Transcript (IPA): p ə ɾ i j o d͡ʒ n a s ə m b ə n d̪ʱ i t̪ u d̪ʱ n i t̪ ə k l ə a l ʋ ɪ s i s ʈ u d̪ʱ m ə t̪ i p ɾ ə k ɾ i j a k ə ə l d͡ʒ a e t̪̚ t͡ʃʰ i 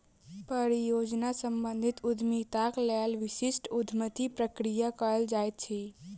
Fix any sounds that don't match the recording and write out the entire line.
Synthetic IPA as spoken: p ə ɾ i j o d͡ʒ n a s ə m b ə n d̪ʱ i t̪ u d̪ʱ m i t̪ a k l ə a l ʋ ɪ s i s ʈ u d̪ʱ m ə t̪ i p ɾ ə k ɾ i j a k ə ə l d͡ʒ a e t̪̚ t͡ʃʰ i

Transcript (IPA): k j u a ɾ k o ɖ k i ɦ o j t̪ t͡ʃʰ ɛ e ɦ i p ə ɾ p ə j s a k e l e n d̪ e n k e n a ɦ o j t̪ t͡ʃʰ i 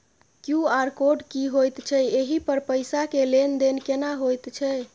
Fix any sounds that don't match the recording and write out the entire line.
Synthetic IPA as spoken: k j u a ɾ k o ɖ k i ɦ o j t̪ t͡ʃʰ ɛ e ɦ i p ə ɾ p ə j s a k e l e n d̪ e n k e n a ɦ o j t̪ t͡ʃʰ ɛ

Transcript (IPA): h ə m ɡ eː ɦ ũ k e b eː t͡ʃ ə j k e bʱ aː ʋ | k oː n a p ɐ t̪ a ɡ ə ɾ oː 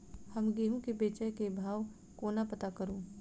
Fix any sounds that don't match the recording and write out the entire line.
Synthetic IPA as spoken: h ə m ɡ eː ɦ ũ k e b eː t͡ʃ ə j k e bʱ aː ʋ | k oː n a p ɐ t̪ a k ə ɾ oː

